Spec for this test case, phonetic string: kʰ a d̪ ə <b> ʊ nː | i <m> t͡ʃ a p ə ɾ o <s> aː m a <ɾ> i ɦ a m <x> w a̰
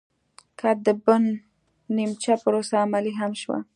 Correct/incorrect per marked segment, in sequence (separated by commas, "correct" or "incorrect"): correct, correct, correct, incorrect, incorrect